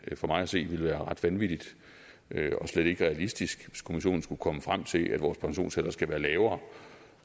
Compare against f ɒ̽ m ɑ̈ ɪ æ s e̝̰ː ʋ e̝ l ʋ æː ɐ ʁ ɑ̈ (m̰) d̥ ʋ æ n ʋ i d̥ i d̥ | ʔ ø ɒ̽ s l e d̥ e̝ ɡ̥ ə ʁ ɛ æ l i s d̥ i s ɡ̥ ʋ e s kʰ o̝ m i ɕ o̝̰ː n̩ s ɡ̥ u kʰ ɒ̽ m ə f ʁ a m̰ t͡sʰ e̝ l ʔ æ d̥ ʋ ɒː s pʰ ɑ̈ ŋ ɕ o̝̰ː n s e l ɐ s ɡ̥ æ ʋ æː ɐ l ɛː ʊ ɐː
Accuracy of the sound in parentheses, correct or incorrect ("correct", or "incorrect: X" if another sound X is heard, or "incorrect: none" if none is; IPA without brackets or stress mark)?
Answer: incorrect: none